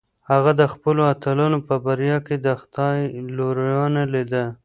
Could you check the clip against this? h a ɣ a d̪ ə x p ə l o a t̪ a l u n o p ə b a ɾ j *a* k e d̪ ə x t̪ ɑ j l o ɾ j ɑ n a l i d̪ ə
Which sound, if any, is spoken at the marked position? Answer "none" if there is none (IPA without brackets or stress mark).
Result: ɑ